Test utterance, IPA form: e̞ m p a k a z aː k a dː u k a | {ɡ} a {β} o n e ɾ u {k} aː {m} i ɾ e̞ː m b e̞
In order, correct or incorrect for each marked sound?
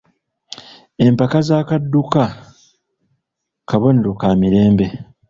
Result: incorrect: k, correct, correct, correct

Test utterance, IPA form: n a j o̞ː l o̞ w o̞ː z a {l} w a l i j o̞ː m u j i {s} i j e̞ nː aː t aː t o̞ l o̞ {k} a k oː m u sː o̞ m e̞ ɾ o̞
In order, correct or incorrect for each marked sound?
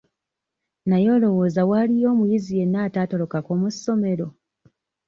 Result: incorrect: none, incorrect: z, correct

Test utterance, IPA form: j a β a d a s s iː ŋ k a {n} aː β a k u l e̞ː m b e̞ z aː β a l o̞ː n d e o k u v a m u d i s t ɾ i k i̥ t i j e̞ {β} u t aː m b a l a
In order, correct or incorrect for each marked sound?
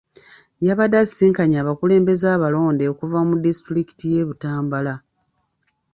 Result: incorrect: ɲ, correct

